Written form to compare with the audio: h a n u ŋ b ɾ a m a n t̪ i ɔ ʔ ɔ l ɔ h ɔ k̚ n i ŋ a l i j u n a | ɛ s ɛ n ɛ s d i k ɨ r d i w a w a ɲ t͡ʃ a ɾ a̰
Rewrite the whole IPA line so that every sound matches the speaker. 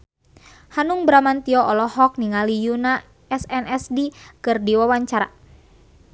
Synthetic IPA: h a n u ŋ b ɾ a m a n t̪ i ɔ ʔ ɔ l ɔ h ɔ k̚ n i ŋ a l i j u n a | ɛ s ɛ n ɛ s d i k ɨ r d i w a w a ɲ t͡ʃ a ɾ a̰